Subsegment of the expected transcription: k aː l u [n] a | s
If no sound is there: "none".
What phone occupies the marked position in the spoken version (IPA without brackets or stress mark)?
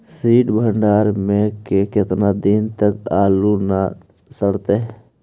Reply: n